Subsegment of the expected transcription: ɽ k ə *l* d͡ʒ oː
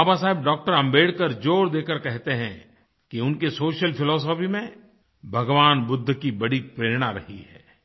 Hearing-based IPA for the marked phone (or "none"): ɾ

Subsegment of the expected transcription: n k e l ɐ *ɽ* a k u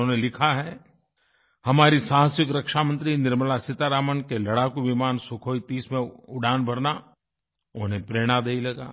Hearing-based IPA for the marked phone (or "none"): ɽ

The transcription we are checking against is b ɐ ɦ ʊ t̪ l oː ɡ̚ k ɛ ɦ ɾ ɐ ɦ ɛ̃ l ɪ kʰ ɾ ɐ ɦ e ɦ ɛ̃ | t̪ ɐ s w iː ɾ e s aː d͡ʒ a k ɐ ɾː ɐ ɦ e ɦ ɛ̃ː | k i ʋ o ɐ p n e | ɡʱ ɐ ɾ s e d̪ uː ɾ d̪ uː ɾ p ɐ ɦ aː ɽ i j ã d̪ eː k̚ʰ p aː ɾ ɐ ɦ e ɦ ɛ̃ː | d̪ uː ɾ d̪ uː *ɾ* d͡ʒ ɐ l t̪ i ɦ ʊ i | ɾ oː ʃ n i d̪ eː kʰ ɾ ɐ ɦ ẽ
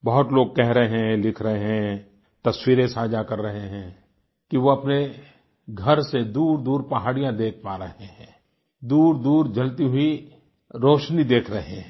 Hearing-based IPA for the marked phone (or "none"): ɾ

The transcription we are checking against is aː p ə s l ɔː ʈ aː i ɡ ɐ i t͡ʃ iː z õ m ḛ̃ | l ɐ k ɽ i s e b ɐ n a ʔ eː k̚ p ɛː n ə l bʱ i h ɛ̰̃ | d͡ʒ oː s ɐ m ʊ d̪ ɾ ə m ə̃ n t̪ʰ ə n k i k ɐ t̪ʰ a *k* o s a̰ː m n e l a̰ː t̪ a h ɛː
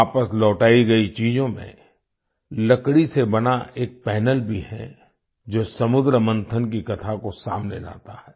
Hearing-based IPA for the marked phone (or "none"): k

